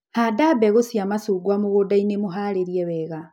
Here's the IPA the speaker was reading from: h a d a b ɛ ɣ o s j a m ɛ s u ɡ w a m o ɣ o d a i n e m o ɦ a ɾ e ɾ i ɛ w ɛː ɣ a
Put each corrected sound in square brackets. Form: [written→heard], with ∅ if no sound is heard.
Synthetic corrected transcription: h a d a b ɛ ɣ o s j a m [ɛ→a] s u ɡ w a m o ɣ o d a i n e m o ɦ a ɾ e ɾ i ɛ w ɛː ɣ a